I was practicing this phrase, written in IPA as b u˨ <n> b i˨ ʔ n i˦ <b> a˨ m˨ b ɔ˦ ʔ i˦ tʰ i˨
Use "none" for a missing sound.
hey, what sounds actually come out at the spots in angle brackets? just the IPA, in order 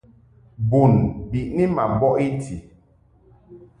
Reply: n, m

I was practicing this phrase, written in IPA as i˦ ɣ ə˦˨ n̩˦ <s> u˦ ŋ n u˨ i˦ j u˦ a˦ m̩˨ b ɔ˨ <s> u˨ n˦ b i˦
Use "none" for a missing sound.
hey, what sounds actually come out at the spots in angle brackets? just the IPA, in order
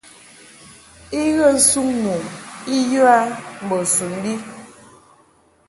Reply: s, s

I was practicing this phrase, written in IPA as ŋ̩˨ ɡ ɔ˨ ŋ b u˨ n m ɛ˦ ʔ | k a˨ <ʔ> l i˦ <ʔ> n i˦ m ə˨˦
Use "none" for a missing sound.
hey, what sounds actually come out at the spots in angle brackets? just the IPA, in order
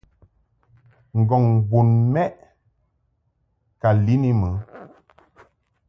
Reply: none, none

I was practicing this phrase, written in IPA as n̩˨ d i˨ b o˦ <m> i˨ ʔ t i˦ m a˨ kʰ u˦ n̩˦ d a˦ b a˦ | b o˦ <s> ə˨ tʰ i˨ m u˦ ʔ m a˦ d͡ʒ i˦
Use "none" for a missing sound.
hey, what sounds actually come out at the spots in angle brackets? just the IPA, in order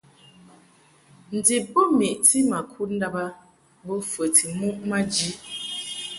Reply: m, f

